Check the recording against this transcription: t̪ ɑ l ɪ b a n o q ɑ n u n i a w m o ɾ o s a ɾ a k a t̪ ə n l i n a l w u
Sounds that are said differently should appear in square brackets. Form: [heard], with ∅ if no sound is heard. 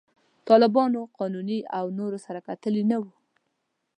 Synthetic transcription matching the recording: t̪ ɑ l ɪ b [ɑ] n o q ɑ n u n i a w [n] o ɾ o s a ɾ a k a t̪ ə [∅] l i n a [∅] w u